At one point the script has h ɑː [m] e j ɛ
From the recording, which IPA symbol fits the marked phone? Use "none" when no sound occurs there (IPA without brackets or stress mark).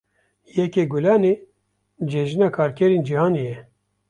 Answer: n